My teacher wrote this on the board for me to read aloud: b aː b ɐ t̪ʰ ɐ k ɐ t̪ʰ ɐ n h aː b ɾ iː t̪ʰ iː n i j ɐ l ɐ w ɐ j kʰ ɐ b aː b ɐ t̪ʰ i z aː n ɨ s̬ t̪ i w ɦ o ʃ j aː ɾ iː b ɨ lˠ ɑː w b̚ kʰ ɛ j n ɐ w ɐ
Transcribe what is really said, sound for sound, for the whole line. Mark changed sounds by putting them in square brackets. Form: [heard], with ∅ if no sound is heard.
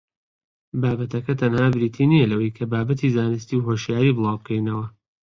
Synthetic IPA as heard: b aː b ɐ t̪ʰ ɐ k ɐ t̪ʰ ɐ n h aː b ɾ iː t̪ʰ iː n i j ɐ l ɐ w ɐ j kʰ ɐ b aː b ɐ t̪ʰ i z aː n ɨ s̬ t̪ i w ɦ o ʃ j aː ɾ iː b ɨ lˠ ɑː w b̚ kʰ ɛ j n ɐ w ɐ

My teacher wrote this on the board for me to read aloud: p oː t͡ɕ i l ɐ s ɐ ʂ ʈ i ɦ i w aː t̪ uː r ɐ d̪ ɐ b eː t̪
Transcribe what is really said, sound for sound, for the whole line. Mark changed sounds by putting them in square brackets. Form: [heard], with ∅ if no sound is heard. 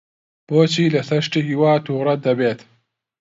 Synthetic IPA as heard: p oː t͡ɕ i l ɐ s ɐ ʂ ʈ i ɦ i w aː t̪ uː [ɾ] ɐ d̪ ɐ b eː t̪

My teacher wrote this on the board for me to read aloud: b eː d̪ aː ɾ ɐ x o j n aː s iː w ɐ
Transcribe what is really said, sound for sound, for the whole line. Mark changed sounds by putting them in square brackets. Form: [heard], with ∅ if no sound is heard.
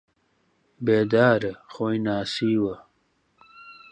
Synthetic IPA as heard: b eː d̪ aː ɾ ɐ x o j n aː s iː w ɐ

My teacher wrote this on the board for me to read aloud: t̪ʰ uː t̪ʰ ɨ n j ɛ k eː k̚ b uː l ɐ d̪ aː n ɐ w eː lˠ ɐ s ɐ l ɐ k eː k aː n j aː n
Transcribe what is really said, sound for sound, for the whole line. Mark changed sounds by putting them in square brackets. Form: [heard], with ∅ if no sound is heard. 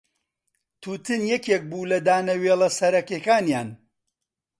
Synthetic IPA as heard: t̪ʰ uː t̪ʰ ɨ n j ɛ k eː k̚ b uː l ɐ d̪ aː n ɐ w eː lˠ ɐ s ɐ [ɾ] ɐ k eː k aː n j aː n

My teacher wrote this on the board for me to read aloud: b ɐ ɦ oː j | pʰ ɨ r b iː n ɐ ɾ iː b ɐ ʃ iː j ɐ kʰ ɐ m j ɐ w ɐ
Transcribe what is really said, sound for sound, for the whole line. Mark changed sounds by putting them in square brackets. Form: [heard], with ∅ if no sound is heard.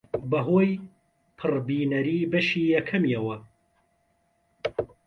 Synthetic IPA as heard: b ɐ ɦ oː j | pʰ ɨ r b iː n ɐ ɾ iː b ɐ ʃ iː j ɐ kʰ ɐ m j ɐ w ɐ

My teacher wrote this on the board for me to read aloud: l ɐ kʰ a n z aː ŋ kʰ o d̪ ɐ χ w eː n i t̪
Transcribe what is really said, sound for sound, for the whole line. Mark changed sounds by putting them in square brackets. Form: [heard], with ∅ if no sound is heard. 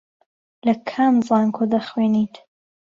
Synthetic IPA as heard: l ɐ kʰ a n z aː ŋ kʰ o d̪ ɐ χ w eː n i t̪

